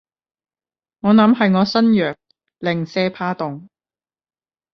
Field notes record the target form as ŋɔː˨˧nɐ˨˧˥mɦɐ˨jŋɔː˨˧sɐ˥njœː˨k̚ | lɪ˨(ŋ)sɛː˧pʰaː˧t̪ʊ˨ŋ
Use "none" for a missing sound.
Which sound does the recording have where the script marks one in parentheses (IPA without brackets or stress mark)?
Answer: ŋ